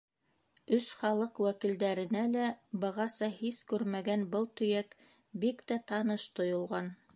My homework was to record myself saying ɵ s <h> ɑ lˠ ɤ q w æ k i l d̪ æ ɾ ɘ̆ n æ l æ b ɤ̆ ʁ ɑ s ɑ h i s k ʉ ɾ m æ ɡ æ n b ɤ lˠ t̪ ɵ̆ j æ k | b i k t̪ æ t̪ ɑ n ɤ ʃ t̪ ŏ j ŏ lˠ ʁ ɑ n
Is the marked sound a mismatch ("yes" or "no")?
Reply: yes